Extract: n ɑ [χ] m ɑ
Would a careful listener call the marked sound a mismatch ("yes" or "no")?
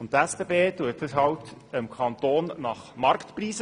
no